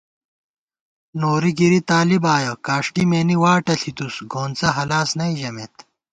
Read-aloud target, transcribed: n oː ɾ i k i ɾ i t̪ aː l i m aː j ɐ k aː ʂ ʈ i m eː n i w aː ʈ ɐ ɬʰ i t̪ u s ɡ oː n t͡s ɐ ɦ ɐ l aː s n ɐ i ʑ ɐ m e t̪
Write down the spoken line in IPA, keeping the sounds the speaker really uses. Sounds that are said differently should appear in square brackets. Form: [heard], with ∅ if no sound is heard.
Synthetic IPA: n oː ɾ i [ɡ] i ɾ i t̪ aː l i [b] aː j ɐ k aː ʂ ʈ i m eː n i w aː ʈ ɐ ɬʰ i t̪ u s ɡ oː n t͡s ɐ ɦ ɐ l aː s n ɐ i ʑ ɐ m e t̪